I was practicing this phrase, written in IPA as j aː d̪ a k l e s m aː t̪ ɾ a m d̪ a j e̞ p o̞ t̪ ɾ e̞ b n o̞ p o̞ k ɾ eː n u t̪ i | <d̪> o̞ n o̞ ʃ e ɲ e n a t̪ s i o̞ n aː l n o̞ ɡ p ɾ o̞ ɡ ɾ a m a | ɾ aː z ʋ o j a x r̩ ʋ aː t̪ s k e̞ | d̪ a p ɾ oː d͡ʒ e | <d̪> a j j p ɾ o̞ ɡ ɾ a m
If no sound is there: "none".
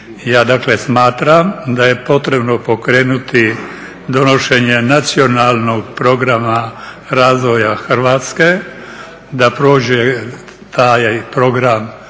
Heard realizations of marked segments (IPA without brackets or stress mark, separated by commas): d̪, t̪